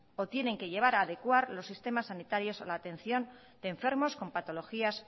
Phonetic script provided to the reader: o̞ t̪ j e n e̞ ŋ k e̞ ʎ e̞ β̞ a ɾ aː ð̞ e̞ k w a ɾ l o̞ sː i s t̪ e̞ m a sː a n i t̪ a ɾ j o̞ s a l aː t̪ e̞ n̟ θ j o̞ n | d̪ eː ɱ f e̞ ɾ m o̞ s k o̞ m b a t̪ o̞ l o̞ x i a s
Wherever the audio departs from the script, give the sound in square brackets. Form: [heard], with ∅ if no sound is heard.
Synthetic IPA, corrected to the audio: o̞ t̪ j e n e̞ ŋ k e̞ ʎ e̞ β̞ a ɾ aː ð̞ e̞ k w a ɾ l o̞ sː i s t̪ e̞ m a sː a n i t̪ a ɾ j o̞ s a l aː t̪ e̞ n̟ θ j o̞ n | d̪ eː ɱ f e̞ ɾ m o̞ s k o̞ m [p] a t̪ o̞ l o̞ x i a s